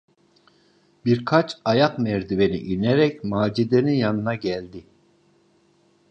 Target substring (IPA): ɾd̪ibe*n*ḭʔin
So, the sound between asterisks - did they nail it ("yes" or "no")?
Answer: yes